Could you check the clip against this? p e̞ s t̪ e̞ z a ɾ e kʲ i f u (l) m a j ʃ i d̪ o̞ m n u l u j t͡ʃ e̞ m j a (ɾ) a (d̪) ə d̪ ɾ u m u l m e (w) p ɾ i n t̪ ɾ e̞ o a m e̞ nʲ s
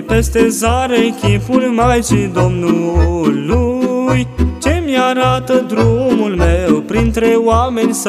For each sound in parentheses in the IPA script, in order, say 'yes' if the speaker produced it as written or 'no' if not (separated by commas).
yes, yes, no, yes